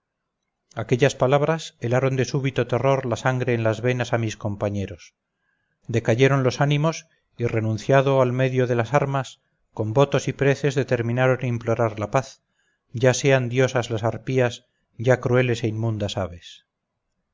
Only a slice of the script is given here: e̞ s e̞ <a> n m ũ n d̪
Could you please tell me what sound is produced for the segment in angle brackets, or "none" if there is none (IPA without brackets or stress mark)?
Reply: i